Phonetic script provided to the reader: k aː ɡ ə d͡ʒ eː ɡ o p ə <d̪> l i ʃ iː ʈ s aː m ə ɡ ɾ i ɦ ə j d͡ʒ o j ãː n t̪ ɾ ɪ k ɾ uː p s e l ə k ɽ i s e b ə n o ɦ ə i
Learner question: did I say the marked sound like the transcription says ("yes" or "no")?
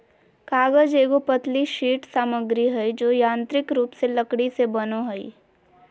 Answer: no